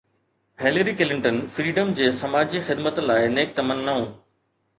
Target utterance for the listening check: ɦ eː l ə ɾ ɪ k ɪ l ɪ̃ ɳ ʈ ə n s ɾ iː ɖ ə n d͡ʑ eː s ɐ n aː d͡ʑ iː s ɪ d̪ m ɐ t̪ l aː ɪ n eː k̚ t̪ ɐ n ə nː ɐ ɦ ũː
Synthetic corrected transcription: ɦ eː l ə ɾ i k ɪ l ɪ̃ ɳ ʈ ə n f ɾ iː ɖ ə m d͡ʑ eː s ɐ m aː d͡ʑ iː x ɪ d̪ m ə t̪ l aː ɪ n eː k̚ t̪ ɐ m ə nː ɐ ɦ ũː